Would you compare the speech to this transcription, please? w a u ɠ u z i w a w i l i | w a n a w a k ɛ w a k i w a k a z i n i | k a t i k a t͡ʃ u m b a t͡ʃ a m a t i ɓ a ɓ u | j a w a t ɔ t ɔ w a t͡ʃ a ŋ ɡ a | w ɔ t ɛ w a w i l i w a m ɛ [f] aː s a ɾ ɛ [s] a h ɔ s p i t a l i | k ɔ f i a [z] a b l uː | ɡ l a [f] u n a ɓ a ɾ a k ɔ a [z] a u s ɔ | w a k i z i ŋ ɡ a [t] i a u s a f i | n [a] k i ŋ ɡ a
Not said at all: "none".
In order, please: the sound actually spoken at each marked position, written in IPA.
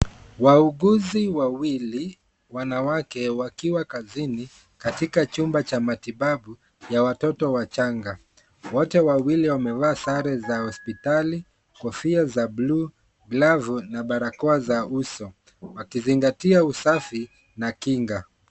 v, z, z, v, z, t, a

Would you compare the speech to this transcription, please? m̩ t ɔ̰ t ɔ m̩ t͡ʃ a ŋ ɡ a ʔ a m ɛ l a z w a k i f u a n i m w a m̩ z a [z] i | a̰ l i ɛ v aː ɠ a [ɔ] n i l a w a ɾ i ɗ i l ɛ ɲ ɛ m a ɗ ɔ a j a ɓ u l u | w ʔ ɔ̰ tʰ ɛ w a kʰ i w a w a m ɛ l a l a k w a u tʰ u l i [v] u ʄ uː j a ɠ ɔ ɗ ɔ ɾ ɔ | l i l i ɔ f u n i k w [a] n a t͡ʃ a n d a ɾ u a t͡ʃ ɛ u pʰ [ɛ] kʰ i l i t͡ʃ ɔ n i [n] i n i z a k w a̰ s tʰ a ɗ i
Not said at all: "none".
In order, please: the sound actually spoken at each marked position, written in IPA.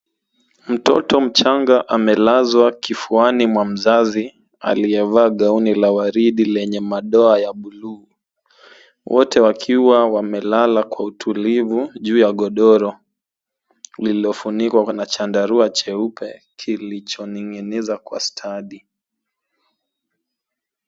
z, u, v, a, ɛ, ŋ

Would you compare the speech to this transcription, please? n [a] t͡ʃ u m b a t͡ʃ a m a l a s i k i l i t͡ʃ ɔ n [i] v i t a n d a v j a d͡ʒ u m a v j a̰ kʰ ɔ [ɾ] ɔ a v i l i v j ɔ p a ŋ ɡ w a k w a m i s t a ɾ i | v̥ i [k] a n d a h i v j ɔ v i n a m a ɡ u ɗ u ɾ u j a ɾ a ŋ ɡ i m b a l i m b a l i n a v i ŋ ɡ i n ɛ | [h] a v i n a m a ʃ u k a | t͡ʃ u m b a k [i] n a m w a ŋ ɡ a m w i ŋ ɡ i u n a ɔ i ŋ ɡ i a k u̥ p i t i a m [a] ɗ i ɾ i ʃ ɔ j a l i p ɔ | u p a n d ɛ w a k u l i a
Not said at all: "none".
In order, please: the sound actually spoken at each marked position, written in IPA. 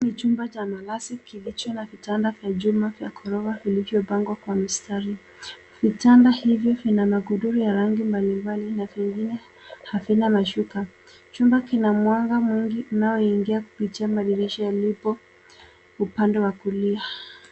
i, a, ɾ, t, h, i, a

